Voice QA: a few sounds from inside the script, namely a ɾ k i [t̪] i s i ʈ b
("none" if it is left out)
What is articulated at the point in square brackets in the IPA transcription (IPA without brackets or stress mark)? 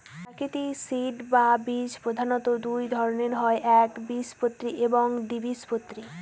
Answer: t̪